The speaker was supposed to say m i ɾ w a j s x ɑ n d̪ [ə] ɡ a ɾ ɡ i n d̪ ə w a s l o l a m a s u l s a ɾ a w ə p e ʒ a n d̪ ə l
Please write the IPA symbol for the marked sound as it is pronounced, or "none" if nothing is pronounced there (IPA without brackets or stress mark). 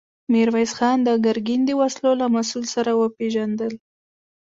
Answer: ə